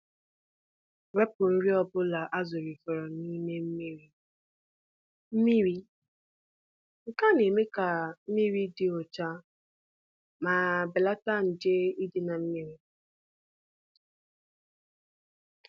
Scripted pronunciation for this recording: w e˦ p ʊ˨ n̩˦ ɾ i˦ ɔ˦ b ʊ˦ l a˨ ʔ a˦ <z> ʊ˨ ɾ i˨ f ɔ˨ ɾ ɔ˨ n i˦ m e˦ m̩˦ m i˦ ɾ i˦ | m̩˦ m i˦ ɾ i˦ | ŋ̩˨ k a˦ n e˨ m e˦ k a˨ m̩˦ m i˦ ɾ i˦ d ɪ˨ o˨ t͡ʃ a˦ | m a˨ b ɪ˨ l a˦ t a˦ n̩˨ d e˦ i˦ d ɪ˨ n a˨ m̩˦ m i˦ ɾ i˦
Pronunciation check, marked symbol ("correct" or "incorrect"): correct